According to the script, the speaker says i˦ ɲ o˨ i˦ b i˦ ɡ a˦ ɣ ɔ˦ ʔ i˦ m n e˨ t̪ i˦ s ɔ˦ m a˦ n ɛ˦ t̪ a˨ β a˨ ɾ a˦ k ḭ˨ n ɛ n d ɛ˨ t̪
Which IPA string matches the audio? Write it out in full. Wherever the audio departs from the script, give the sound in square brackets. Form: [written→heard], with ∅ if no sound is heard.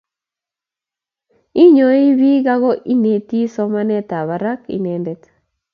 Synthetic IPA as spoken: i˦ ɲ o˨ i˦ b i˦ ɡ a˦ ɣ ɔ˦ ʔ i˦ [m→∅] n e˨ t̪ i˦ s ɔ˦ m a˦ n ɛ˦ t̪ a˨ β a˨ ɾ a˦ k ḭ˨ n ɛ n d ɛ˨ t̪

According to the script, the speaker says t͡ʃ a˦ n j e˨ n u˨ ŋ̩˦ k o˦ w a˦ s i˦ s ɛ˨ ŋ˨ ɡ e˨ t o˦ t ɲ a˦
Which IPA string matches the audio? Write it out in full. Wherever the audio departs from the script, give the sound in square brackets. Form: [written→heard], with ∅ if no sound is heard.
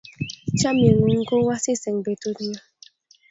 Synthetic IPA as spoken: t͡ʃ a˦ [n→m] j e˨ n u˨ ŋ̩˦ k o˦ w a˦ s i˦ s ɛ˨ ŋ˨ [ɡ→b] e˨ t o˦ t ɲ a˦

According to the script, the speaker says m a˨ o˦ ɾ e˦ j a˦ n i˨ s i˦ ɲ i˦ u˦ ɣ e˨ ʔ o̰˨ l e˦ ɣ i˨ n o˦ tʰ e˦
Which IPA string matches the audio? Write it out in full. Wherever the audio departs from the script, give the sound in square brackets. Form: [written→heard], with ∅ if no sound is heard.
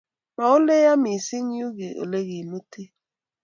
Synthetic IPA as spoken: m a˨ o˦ [ɾ→l] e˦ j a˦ [n→m] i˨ s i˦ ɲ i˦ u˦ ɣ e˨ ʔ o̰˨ l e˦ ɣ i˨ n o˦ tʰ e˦

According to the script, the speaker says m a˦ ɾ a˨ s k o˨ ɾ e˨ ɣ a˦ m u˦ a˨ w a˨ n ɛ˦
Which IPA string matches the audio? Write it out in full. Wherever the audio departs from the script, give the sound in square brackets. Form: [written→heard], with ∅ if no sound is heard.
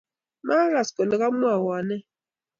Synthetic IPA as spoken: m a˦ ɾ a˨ s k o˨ [ɾ→l] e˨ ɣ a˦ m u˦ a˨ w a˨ n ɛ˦

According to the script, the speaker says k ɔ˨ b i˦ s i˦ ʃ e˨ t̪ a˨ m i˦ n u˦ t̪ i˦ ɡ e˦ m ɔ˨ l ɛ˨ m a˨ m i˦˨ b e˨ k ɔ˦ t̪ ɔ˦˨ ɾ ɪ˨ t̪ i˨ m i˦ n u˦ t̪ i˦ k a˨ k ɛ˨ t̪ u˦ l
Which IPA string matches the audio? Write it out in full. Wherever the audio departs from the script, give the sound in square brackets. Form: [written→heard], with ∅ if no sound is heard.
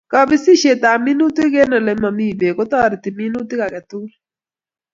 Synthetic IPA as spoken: k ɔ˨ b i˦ s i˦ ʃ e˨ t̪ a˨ m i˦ n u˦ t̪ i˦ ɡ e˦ [m→n] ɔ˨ l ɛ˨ m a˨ m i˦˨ b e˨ k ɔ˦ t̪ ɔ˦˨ ɾ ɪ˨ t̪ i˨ m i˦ n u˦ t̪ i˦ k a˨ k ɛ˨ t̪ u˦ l

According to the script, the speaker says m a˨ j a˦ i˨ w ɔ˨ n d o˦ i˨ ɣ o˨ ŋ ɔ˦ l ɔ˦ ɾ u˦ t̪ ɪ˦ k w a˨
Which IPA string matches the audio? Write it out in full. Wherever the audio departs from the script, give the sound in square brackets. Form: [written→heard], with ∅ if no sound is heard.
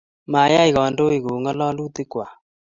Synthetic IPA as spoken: m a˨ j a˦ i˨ [w→ɣ] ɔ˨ n d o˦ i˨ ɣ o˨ ŋ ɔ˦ l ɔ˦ [ɾ→l] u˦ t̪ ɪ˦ k w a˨

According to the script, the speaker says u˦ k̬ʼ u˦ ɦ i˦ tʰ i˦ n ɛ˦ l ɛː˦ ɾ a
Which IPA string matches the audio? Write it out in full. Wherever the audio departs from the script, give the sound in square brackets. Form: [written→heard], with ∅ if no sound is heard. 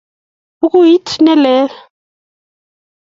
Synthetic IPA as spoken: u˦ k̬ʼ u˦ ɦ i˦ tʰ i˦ n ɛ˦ l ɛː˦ [ɾ→l] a

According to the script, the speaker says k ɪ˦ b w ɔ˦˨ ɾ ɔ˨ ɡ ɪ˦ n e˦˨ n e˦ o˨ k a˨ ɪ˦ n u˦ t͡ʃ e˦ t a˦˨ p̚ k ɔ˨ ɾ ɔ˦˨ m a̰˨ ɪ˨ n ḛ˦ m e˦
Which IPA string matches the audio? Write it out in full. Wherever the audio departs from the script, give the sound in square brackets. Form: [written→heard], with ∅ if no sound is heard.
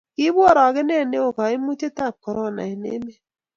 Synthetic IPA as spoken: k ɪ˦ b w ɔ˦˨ ɾ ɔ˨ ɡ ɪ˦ n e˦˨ n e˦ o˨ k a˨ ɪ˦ [n→m] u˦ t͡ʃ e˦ t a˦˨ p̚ k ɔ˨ ɾ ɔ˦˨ [m→n] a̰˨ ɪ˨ n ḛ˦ m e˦

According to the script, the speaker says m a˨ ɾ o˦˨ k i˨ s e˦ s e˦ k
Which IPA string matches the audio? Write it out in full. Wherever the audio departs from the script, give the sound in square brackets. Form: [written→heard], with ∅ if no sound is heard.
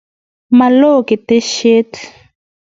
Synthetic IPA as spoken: m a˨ [ɾ→l] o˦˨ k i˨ [s→t] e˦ [s→ʃ] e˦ [k→t]

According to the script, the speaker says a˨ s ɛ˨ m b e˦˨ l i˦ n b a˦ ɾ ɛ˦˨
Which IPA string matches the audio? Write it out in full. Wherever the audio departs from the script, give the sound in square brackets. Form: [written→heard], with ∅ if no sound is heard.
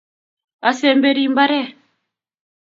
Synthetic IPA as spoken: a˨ s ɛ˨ m b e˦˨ [l→ɾ] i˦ [n→m] b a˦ ɾ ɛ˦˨

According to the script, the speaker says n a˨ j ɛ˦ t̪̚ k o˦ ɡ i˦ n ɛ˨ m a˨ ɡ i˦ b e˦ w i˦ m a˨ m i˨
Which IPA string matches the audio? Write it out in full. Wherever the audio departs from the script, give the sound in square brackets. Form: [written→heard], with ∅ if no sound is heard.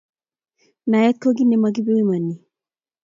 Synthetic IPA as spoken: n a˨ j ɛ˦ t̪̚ k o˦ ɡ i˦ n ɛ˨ m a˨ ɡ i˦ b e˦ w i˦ m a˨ [m→n] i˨

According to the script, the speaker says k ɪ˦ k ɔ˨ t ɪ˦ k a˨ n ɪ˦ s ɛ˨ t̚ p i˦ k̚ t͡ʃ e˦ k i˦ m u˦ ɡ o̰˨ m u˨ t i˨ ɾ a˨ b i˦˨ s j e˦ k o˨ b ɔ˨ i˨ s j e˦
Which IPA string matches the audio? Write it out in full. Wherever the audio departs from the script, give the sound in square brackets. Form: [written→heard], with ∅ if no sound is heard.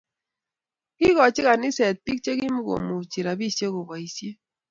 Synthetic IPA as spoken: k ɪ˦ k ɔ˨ [t→t͡ʃ] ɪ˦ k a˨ n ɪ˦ s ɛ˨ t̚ p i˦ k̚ t͡ʃ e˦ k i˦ m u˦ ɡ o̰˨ m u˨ [t→t͡ʃ] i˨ ɾ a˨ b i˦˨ s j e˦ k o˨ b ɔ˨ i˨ s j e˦

